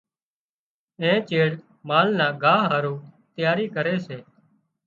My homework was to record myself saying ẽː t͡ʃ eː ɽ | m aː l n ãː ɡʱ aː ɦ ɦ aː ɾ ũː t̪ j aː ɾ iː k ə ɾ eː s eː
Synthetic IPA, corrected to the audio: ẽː t͡ʃ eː ɽ | m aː l n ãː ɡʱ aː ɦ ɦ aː ɾ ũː t̪ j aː ɾ iː k ə ɾ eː s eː